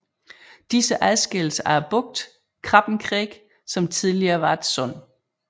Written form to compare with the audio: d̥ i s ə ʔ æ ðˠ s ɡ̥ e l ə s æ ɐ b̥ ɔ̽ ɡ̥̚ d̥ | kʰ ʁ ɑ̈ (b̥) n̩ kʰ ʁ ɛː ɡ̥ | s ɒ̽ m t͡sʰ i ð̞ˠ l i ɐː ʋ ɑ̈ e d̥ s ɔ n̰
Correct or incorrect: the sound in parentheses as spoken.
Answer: correct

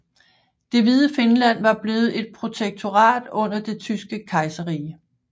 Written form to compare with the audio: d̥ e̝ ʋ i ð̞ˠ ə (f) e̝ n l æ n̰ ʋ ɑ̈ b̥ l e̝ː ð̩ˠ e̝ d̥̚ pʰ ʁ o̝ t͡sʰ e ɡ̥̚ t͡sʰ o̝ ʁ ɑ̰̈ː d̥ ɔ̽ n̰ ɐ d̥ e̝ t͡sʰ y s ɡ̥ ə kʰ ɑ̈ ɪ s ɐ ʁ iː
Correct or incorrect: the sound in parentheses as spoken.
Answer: correct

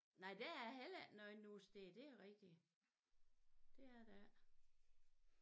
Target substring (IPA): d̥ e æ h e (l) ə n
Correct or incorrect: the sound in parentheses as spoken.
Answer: correct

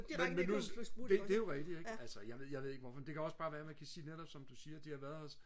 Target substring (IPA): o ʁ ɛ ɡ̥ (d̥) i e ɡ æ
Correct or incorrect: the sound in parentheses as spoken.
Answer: correct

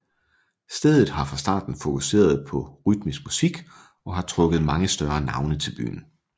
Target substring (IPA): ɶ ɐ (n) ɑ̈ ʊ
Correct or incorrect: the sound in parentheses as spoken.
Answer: correct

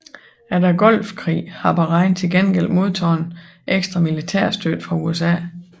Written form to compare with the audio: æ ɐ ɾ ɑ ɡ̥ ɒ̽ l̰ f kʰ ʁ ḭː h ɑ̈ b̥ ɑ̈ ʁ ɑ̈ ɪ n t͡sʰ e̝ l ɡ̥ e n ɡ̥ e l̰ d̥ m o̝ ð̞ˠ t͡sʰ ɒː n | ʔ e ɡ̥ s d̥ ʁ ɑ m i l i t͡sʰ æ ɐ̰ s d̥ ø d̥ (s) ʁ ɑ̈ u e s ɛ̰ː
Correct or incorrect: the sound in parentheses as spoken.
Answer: incorrect: f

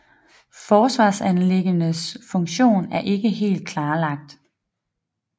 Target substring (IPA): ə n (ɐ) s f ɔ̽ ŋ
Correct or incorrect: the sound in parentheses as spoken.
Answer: incorrect: ə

